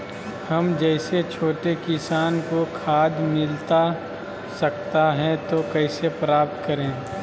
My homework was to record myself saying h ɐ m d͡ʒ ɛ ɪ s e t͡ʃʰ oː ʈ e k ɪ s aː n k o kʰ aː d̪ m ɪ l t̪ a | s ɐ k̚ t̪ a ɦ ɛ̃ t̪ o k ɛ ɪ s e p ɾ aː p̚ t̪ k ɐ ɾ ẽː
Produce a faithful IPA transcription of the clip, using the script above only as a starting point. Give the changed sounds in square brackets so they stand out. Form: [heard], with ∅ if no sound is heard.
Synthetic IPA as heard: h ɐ m d͡ʒ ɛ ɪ s e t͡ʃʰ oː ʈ e k ɪ s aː n k o kʰ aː d̪ m ɪ l t̪ a | s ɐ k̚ t̪ a ɦ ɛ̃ t̪ o k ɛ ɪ s e p ɾ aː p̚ t̪ k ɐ ɾ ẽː